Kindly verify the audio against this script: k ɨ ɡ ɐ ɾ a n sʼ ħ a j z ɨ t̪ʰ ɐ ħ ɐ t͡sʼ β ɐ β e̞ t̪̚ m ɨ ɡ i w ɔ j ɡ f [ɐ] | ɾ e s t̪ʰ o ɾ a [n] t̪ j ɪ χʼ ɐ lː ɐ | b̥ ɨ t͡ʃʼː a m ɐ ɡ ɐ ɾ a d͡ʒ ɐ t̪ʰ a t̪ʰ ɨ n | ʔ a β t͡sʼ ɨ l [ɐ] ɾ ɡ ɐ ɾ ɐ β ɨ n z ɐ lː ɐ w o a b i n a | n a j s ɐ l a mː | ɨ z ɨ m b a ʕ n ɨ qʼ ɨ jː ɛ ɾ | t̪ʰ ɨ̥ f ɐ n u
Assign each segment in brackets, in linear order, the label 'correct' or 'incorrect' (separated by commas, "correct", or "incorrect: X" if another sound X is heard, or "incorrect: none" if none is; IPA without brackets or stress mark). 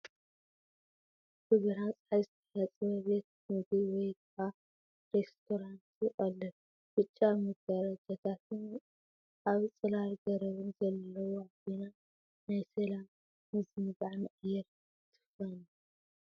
incorrect: a, correct, incorrect: a